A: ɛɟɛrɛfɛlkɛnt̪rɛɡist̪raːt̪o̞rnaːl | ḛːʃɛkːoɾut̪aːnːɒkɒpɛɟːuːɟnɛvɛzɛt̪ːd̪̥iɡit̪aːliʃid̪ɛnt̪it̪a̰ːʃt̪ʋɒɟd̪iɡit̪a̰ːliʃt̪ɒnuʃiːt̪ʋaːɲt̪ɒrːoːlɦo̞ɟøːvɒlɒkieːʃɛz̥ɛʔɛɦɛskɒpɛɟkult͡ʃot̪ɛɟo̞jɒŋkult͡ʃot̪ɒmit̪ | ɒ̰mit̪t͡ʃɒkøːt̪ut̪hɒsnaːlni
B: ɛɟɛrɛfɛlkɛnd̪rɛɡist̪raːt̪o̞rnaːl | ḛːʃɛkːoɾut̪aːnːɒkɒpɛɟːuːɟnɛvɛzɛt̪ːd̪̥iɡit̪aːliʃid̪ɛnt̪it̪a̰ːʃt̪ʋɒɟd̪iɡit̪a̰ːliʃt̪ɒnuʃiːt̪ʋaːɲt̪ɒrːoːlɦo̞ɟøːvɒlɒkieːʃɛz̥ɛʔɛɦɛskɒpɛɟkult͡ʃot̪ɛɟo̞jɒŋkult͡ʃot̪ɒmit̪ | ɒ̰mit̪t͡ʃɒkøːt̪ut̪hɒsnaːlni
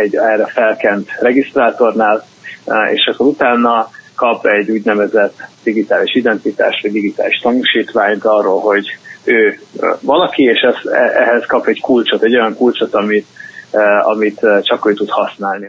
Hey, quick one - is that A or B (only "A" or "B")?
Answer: A